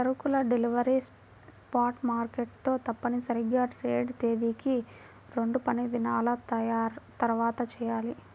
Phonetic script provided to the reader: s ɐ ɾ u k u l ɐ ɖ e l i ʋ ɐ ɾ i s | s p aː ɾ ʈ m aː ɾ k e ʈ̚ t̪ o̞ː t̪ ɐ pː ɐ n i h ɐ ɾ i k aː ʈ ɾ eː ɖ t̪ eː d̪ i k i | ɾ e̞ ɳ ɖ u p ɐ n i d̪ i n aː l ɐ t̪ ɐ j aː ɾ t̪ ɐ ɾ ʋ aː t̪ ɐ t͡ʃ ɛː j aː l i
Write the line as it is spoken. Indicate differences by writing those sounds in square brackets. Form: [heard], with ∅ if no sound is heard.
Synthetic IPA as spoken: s ɐ ɾ u k u l ɐ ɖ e l i ʋ ɐ ɾ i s | s p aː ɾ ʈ m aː ɾ k e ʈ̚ t̪ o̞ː t̪ ɐ pː ɐ n i [s] ɐ ɾ i [ɡ] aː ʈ ɾ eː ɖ t̪ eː d̪ i k i | ɾ e̞ ɳ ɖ u p ɐ n i d̪ i n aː l ɐ t̪ ɐ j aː ɾ t̪ ɐ ɾ ʋ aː t̪ ɐ t͡ʃ ɛː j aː l i